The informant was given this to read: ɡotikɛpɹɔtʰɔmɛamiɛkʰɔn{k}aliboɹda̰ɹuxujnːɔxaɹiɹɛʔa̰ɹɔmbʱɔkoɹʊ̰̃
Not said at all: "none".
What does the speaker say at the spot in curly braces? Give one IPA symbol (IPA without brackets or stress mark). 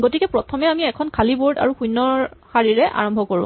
kʰ